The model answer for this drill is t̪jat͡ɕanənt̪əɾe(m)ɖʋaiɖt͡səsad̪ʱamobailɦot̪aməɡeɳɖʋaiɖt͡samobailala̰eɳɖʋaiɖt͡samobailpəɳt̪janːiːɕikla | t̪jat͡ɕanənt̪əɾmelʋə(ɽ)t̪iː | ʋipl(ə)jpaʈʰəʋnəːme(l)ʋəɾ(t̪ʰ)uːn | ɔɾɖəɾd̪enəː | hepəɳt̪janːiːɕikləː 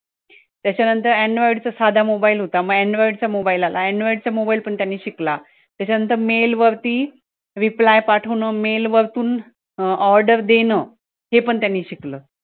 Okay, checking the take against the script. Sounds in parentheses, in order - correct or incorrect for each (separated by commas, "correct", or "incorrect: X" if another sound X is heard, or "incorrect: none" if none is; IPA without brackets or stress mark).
incorrect: ɳ, incorrect: ɾ, incorrect: a, correct, incorrect: t̪